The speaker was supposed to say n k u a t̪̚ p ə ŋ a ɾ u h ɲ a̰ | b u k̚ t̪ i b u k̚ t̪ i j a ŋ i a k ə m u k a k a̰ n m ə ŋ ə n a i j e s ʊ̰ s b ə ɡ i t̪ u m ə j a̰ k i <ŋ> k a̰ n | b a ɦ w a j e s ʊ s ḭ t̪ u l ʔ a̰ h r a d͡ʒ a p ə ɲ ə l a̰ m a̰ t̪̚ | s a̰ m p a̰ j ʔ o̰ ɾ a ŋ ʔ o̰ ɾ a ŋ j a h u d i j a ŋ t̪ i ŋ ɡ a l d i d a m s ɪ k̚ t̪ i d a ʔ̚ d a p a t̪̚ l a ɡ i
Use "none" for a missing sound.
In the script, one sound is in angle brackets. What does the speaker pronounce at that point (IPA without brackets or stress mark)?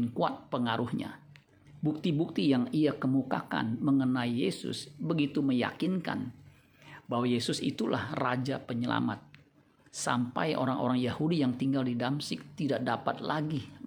n